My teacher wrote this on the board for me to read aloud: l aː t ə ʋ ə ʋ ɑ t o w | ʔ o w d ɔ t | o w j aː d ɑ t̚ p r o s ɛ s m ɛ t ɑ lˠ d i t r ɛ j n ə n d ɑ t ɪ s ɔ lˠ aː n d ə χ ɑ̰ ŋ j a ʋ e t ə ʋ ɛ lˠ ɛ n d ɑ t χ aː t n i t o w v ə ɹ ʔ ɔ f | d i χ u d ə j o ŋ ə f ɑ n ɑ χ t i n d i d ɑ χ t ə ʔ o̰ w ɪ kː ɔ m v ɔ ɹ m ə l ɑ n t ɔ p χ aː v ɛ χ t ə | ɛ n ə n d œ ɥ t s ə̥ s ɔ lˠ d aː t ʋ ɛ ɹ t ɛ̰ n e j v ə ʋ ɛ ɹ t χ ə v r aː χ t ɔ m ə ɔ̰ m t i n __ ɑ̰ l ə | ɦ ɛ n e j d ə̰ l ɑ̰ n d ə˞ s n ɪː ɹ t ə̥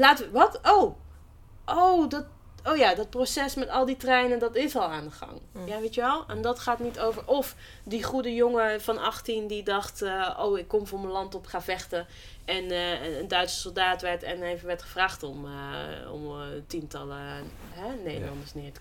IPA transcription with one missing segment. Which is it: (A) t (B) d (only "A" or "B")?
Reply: A